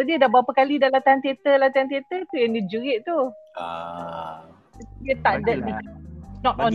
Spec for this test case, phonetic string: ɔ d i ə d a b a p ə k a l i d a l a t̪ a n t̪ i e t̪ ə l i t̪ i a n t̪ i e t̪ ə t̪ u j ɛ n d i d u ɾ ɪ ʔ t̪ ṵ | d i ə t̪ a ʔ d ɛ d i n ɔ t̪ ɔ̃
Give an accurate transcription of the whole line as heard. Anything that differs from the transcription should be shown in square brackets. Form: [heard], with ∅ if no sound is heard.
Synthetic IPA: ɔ d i ə d a b a p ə k a l i d a l a t̪ a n t̪ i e t̪ ə l [a] t̪ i a n t̪ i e t̪ ə t̪ u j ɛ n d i [d͡ʒ] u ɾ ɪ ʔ t̪ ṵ | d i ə t̪ a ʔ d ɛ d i n ɔ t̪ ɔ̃